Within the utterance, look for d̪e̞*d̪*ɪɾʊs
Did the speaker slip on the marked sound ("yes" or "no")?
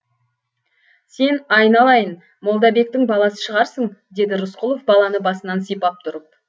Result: no